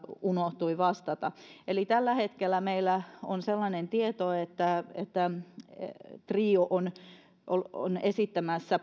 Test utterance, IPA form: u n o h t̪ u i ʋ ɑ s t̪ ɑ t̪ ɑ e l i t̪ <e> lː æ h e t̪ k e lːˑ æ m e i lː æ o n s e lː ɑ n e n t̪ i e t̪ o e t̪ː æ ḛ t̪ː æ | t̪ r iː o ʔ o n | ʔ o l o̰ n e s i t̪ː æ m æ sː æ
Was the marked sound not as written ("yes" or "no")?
yes